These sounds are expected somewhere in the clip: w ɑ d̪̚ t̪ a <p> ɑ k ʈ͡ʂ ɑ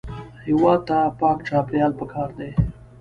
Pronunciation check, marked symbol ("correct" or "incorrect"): correct